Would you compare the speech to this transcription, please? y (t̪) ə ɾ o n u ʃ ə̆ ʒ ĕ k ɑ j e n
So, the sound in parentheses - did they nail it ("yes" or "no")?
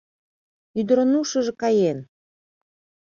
no